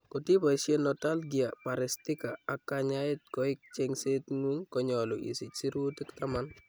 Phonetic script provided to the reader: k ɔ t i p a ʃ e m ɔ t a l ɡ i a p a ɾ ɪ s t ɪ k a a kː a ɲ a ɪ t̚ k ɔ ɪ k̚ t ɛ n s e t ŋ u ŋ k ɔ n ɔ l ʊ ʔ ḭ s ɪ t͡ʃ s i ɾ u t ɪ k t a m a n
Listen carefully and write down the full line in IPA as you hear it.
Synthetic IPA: k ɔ t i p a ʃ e n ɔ t a l ɡ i a p a ɾ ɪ s t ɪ k a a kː a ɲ a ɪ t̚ k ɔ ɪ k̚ t͡ʃ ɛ ŋ s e t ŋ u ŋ k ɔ ɲ ɔ l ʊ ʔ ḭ s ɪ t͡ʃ s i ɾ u t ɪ k t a m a n